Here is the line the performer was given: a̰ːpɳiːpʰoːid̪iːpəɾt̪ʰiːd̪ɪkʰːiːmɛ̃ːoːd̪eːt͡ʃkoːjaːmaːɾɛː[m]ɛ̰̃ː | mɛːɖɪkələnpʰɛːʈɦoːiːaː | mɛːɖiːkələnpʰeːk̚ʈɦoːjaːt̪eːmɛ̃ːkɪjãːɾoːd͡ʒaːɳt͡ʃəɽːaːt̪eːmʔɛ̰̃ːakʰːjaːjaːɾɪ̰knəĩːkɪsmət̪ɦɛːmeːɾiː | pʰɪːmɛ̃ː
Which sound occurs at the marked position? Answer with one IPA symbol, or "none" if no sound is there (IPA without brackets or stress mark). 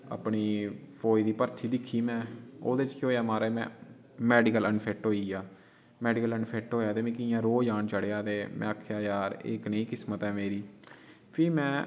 m